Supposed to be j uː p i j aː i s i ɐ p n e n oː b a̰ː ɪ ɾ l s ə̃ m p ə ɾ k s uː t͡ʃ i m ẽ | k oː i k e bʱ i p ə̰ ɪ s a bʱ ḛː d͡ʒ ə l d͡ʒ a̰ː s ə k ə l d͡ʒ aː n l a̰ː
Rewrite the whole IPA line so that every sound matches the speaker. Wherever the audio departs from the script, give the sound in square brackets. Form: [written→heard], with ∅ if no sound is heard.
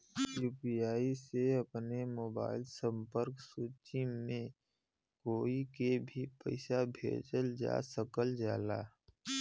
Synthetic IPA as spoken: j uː p i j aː i s [i→e] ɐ p n e [n→m] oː b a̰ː ɪ [ɾ→∅] l s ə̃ m p ə ɾ k s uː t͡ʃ i m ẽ | k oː i k e bʱ i p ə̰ ɪ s a bʱ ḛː d͡ʒ ə l d͡ʒ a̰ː s ə k ə l d͡ʒ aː [n→∅] l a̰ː